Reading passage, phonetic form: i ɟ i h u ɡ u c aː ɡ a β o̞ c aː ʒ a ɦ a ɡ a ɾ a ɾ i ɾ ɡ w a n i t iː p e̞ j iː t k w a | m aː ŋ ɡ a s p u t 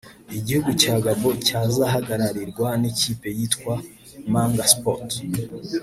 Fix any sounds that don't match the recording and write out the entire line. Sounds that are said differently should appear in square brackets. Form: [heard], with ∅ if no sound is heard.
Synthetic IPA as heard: i ɟ i h u ɡ u c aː ɡ a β o̞ c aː [z] a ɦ a ɡ a ɾ a ɾ i ɾ ɡ w a n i [c] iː p e̞ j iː t k w a | m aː ŋ ɡ a s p [o] t